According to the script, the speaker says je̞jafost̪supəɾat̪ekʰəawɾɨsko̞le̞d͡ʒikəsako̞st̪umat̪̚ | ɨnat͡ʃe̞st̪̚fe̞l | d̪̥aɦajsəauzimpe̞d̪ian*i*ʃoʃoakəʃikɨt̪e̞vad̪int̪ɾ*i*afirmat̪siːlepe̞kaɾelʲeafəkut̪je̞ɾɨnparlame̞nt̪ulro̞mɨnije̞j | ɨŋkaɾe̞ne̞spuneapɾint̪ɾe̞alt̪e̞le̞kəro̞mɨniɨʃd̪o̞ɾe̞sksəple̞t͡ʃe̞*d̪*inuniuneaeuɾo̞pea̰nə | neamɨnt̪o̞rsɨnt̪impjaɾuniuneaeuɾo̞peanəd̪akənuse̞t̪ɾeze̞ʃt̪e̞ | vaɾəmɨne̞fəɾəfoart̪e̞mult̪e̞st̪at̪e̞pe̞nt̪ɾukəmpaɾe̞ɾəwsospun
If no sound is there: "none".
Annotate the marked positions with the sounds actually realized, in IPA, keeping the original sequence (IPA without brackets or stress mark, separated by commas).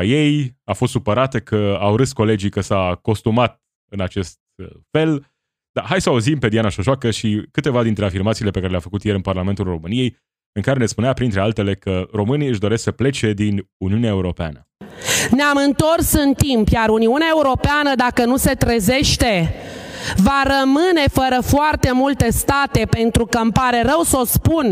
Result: a, e, d̪